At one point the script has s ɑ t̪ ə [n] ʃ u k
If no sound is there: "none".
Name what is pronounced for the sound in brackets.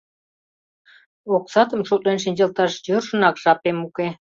m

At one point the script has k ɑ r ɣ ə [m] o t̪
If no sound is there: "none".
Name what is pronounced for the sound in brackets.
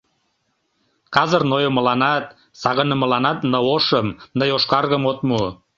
m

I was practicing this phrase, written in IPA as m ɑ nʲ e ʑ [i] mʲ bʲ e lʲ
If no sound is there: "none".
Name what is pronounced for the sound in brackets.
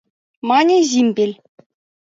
i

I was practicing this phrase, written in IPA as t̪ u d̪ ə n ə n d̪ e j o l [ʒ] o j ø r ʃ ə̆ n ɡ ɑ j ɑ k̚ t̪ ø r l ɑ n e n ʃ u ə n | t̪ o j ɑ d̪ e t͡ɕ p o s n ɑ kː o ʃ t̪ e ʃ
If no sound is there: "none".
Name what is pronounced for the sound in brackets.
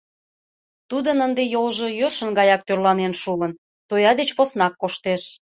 ʒ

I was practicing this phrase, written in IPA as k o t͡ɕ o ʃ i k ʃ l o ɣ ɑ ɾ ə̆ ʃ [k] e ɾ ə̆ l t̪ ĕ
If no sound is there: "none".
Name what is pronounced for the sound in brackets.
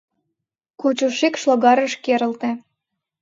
k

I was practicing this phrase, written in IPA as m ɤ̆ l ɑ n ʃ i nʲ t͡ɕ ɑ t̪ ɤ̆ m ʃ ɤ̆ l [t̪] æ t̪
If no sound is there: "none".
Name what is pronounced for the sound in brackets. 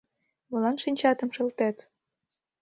t̪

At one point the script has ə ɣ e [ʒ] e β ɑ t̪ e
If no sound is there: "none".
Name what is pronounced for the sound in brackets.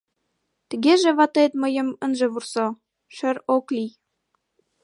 ʒ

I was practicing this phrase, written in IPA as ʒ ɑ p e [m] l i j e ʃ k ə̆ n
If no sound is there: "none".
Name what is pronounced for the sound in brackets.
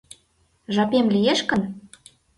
m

